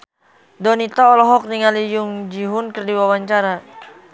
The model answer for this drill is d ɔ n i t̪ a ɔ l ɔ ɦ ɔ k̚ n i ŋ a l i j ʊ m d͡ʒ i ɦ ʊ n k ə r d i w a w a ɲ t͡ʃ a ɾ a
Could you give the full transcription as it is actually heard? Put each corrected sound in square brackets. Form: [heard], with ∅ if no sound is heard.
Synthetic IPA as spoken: d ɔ n i t̪ a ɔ l ɔ ɦ ɔ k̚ n i ŋ a l i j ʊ [ŋ] d͡ʒ i ɦ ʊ n k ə r d i w a w a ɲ t͡ʃ a ɾ a